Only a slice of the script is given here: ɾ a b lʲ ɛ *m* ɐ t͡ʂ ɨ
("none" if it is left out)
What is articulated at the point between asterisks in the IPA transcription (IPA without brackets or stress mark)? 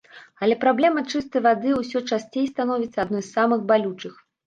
m